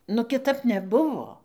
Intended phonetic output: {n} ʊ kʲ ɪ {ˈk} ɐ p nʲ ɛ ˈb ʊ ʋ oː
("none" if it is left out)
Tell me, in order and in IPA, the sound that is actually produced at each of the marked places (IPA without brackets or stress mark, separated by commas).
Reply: n, t